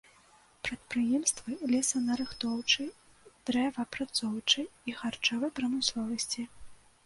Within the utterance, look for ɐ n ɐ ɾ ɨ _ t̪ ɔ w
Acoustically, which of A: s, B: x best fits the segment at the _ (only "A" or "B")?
B